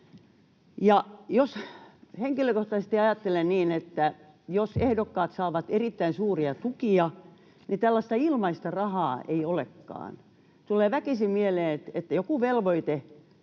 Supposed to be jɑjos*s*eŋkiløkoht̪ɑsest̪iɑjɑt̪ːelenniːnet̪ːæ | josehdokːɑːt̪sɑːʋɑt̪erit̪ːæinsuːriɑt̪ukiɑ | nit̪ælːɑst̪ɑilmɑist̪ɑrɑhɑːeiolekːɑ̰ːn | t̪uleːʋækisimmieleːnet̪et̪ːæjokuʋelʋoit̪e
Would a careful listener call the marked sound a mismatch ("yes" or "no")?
yes